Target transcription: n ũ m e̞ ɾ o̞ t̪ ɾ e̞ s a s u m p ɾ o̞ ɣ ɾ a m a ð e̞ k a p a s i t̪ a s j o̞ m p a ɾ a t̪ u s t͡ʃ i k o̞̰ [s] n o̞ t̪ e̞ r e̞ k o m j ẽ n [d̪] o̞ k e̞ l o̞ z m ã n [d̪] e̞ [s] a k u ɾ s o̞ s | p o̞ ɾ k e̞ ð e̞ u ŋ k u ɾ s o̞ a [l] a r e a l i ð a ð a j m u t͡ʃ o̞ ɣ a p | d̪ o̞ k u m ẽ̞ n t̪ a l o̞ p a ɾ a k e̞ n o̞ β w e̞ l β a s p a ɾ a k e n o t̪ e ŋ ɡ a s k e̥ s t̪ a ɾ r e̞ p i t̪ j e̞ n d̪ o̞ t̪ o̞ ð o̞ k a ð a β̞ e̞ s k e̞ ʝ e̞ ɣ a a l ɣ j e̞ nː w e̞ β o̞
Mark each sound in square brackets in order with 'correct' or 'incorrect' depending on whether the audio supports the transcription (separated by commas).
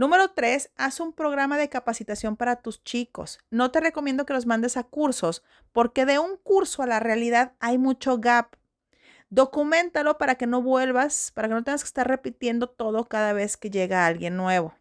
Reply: correct, correct, correct, correct, correct